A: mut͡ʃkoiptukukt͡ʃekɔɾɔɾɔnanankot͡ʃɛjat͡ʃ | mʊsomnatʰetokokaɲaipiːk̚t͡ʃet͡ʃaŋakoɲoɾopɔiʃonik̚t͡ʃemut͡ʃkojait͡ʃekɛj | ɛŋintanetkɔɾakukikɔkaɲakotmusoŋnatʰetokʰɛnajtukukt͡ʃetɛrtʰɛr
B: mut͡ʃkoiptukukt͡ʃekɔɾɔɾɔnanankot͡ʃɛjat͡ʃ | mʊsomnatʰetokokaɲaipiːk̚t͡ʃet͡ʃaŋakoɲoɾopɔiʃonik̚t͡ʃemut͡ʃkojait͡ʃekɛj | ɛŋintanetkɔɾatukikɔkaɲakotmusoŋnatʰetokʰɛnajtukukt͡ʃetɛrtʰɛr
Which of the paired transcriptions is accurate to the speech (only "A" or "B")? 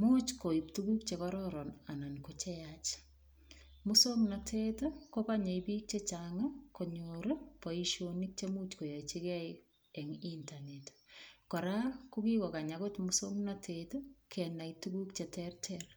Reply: A